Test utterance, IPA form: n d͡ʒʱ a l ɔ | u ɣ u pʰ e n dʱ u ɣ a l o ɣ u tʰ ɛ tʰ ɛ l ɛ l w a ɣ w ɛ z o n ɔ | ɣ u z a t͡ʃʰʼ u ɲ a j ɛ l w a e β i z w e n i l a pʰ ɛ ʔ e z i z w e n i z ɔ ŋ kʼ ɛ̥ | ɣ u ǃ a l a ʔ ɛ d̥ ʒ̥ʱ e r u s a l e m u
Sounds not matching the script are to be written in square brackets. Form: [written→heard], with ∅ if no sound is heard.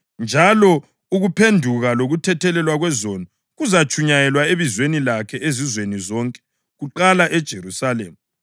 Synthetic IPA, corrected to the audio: n d͡ʒʱ a l ɔ | u ɣ u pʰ e n dʱ u ɣ a l o ɣ u tʰ ɛ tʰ ɛ l ɛ l w a ɣ w ɛ z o n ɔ | ɣ u z a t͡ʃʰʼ u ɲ a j ɛ l w a e β i z w e n i l a [pʰ→kʰ] ɛ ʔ e z i z w e n i z ɔ ŋ kʼ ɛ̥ | ɣ u ǃ a l a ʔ ɛ d̥ ʒ̥ʱ e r u s a l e m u

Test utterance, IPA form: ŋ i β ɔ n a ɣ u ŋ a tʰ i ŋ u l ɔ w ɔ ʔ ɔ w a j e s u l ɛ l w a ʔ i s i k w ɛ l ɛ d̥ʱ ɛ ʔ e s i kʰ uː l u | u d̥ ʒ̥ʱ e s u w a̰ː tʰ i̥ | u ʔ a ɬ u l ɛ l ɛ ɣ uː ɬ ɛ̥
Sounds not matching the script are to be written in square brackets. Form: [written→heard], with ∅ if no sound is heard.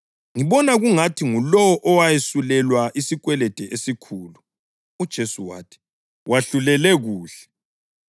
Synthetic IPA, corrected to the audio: ŋ i β ɔ n a ɣ u ŋ a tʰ i ŋ u l ɔ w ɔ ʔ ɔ w a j e s u l ɛ l w a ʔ i s i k w ɛ l ɛ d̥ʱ ɛ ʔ e s i kʰ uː l u | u d̥ ʒ̥ʱ e s u w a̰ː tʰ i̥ | [u→w] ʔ a ɬ u l ɛ l ɛ ɣ uː ɬ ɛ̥

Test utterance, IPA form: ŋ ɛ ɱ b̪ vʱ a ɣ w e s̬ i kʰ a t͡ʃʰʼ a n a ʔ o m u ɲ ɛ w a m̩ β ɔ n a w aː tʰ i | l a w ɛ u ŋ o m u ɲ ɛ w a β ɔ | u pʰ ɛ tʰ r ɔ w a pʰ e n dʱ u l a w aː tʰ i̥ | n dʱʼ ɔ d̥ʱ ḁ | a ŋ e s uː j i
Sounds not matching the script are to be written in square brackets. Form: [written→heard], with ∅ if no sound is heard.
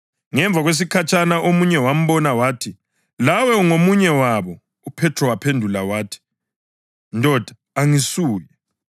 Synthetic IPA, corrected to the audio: ŋ ɛ ɱ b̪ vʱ a ɣ w e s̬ i kʰ a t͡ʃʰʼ a n a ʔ o m u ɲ ɛ w a m̩ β ɔ n a w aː tʰ i | l a w ɛ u ŋ o m u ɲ ɛ w a β ɔ | u pʰ ɛ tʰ r ɔ w a pʰ e n dʱ u l a w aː tʰ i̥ | n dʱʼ ɔ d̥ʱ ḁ | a ŋ [e→i] s uː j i

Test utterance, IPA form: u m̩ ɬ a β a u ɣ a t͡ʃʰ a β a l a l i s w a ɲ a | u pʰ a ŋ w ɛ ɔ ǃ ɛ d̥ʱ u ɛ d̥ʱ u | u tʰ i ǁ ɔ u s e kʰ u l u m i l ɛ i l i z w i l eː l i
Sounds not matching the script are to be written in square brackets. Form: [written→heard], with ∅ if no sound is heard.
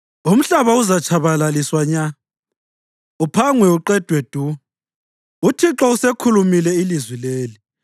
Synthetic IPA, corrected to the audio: u m̩ ɬ a β a u [ɣ→z] a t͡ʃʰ a β a l a l i s w a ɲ a | u pʰ a ŋ w ɛ [ɔ→u] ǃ ɛ d̥ʱ [u→w] ɛ d̥ʱ u | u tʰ i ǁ ɔ u s e kʰ u l u m i l ɛ i l i z w i l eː l i

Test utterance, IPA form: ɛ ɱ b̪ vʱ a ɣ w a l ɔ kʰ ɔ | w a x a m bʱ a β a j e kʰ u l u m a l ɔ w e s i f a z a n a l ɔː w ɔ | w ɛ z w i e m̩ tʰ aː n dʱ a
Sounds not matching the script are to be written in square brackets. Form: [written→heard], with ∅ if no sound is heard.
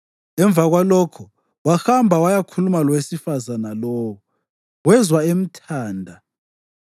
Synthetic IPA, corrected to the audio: ɛ ɱ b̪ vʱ a ɣ w a l ɔ kʰ ɔ | w a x a m bʱ a [β→w] a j [e→a] kʰ u l u m a l ɔ w e s i f a z a n a l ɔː w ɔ | w ɛ z w [i→a] e m̩ tʰ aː n dʱ a

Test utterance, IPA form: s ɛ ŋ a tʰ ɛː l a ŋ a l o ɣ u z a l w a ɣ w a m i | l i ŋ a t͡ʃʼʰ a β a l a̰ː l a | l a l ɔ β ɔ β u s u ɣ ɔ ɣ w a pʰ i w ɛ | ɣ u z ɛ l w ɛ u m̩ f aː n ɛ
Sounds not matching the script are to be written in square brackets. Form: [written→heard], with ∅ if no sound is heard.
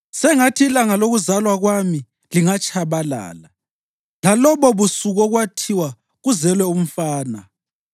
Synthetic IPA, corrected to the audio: s ɛ ŋ a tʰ [ɛː→iː] l a ŋ a l o ɣ u z a l w a ɣ w a m i | l i ŋ a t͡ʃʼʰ a β a l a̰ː l a | l a l ɔ β ɔ β u s u ɣ ɔ ɣ w a [pʰ→tʰ] i w [ɛ→a] | ɣ u z ɛ l w ɛ u m̩ f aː n [ɛ→a]

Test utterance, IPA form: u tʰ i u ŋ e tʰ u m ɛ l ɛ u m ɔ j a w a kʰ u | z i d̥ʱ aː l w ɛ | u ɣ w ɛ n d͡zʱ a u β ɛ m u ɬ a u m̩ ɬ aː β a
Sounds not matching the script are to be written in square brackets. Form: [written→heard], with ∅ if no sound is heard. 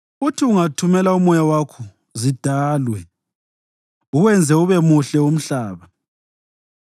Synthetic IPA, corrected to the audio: u tʰ i u ŋ [e→a] tʰ u m ɛ l [ɛ→a] u m ɔ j a w a kʰ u | z i d̥ʱ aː l w ɛ | u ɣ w ɛ n d͡zʱ [a→ɛ] u β ɛ m u ɬ [a→ɛ] u m̩ ɬ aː β a

